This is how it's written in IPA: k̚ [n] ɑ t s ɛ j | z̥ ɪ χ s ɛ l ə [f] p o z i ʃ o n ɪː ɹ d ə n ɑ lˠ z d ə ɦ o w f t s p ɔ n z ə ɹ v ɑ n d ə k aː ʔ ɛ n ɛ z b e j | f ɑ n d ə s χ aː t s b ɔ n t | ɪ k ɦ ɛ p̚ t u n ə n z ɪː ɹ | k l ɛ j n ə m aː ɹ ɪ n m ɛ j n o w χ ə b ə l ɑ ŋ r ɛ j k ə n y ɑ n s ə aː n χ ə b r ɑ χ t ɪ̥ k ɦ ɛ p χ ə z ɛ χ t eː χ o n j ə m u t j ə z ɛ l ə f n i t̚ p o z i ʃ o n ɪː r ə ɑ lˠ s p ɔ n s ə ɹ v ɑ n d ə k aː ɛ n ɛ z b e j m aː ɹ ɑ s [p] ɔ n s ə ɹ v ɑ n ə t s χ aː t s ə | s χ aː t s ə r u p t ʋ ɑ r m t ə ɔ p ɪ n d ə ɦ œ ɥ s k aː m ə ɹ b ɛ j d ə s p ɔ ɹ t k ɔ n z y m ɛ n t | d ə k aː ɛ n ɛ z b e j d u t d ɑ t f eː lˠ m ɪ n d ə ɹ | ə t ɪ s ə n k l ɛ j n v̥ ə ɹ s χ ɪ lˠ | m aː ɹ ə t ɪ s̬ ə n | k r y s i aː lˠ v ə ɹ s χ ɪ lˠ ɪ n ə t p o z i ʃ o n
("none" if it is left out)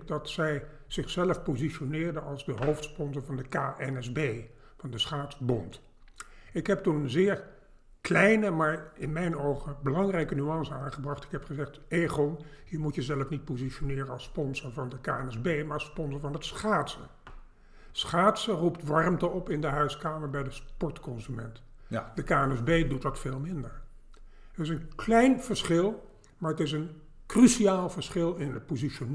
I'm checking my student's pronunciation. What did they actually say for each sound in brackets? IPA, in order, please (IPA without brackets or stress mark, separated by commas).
d, f, p